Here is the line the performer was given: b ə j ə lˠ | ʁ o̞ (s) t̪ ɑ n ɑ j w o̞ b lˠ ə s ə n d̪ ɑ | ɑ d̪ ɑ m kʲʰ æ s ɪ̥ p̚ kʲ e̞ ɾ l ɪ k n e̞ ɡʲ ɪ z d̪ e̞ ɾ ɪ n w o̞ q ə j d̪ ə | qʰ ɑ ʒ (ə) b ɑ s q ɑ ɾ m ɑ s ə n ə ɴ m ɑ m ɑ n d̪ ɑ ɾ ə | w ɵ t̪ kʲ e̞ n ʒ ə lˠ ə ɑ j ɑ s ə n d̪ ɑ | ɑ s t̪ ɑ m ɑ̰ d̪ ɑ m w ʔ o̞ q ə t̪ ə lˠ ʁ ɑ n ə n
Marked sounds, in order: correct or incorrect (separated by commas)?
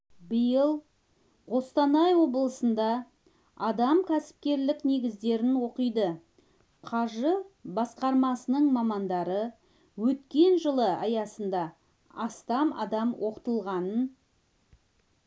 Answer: correct, correct